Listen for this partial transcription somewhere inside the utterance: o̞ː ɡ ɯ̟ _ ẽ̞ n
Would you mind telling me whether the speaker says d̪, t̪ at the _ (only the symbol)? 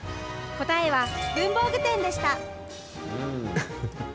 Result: t̪